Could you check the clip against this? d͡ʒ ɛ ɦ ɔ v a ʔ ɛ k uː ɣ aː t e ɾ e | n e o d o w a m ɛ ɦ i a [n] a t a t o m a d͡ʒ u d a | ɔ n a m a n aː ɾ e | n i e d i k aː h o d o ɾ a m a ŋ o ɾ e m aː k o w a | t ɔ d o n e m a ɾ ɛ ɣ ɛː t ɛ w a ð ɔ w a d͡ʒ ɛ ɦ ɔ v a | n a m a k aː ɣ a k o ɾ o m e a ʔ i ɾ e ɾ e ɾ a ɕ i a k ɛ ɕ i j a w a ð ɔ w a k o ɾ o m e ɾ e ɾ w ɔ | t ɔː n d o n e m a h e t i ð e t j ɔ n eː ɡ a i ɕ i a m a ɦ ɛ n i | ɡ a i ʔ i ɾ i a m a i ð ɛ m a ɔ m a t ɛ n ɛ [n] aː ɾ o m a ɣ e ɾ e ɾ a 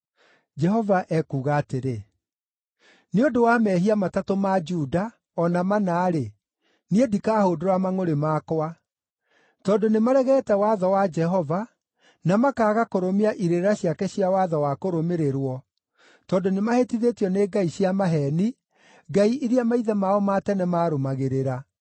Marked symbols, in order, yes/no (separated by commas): no, no